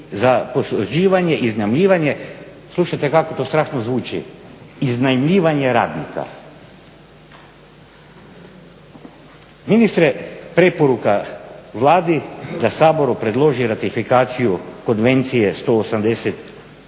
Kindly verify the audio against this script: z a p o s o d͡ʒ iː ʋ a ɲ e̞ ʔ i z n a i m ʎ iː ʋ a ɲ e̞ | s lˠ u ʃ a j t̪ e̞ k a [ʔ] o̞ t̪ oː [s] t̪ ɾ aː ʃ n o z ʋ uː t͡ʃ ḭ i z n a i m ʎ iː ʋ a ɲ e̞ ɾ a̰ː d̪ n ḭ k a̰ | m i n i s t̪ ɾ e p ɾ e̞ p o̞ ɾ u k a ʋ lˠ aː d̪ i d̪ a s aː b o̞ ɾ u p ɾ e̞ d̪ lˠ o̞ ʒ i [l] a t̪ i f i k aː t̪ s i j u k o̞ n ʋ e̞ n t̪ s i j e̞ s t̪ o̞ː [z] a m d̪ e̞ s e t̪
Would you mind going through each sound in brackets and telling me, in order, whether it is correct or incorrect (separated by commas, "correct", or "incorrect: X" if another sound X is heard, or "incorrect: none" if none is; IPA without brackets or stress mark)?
incorrect: k, correct, incorrect: ɾ, incorrect: s